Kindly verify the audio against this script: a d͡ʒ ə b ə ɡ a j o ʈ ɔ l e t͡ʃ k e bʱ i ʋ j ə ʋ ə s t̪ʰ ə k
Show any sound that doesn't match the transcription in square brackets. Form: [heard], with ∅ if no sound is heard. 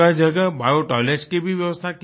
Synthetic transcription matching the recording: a d͡ʒ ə [ɡ] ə [b] a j o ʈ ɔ l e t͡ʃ k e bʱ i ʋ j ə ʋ ə s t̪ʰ [a] k